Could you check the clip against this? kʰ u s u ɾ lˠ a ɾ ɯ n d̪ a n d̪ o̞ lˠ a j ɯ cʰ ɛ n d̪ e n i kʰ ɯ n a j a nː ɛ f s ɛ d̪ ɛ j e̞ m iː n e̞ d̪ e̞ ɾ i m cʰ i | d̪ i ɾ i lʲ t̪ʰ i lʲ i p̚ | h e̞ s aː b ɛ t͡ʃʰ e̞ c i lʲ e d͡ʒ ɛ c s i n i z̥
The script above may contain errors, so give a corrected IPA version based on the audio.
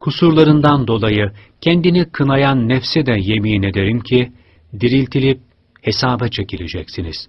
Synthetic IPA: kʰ u s u ɾ lˠ a ɾ ɯ n d̪ a n d̪ o̞ lˠ a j ɯ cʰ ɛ n d̪ i n i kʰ ɯ n a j a nː ɛ f s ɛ d̪ ɛ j e̞ m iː n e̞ d̪ e̞ ɾ i m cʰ i | d̪ i ɾ i lʲ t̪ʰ i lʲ i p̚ | h e̞ s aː b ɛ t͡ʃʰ e̞ c i lʲ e d͡ʒ ɛ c s i n i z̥